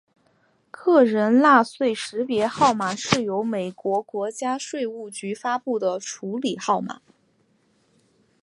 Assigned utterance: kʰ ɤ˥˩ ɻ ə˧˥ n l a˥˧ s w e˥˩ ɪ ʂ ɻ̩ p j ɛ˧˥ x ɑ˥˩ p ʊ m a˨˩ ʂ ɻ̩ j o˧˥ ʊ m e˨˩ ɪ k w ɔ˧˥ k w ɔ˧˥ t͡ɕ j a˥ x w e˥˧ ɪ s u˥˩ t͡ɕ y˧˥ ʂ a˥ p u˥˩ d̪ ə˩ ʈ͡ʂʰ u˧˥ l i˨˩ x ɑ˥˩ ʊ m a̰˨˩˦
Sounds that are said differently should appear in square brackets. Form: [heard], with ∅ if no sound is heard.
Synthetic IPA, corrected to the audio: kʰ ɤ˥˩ ɻ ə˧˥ n l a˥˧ s w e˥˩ ɪ ʂ ɻ̩ p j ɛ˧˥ x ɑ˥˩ [∅] ʊ m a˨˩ ʂ ɻ̩ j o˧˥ ʊ m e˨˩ ɪ k w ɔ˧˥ k w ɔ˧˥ t͡ɕ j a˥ [ʂ] w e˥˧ ɪ [∅] u˥˩ t͡ɕ y˧˥ [f] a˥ p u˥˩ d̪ ə˩ ʈ͡ʂʰ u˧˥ l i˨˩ x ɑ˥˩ ʊ m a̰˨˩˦